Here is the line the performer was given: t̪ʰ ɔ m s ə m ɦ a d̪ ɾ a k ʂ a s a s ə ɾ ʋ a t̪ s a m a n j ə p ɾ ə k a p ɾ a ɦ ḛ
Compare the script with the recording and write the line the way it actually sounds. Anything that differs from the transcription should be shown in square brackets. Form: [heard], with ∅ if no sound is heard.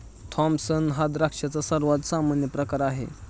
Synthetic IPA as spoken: t̪ʰ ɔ m s ə [n] ɦ a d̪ ɾ a k ʂ a [t͡s] a s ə ɾ ʋ a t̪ s a m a n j ə p ɾ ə k a [∅] ɾ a ɦ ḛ